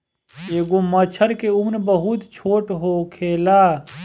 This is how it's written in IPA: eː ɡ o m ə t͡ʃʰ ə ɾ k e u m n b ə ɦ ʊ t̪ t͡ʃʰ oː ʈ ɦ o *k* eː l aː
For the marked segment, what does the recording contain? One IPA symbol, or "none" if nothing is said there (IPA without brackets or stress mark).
kʰ